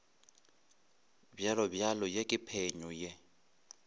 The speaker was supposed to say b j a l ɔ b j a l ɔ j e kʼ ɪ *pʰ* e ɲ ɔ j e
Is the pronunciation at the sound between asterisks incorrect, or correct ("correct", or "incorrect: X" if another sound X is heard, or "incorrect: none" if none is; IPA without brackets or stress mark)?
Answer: correct